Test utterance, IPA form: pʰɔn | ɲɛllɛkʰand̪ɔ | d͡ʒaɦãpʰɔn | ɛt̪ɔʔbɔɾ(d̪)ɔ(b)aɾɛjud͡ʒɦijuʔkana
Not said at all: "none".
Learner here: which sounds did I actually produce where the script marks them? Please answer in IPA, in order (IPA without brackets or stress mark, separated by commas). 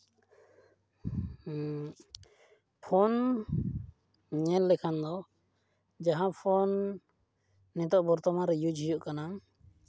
t̪, m